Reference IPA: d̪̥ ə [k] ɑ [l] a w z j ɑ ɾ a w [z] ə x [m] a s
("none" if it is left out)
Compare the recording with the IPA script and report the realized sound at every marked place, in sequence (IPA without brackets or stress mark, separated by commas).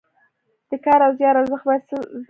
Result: k, ɾ, z, b